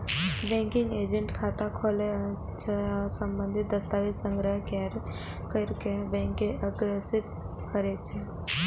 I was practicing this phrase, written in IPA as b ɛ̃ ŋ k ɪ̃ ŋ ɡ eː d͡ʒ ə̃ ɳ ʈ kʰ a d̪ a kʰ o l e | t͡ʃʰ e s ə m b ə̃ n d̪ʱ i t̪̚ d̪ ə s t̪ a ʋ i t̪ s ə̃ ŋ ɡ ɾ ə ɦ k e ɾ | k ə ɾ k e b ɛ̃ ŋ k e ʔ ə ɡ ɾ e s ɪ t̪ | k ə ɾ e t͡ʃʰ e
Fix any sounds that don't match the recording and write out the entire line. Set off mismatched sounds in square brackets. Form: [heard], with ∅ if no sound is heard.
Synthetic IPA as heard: b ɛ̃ ŋ k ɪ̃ ŋ ɡ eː d͡ʒ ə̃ ɳ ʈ kʰ a [t̪] a kʰ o l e | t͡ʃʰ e s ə m b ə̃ n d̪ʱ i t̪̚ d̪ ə s t̪ a ʋ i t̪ s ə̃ ŋ ɡ ɾ ə ɦ k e ɾ | k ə ɾ k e b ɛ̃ ŋ k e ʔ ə ɡ ɾ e s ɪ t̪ | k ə ɾ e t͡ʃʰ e